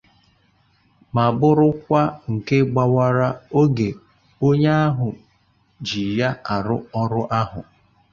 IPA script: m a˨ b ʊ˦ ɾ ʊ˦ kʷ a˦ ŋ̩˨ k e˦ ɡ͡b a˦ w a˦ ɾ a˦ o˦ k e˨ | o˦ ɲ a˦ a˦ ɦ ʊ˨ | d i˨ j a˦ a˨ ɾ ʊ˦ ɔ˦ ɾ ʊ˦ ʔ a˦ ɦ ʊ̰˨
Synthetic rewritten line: m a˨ b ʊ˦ ɾ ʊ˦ kʷ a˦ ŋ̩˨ k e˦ ɡ͡b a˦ w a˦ ɾ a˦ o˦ ɡ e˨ | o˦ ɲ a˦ a˦ ɦ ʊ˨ | d͡ʒ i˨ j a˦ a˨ ɾ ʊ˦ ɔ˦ ɾ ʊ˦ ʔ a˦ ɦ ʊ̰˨